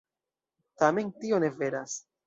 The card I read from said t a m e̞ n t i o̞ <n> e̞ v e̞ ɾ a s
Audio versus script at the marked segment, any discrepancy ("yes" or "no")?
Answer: no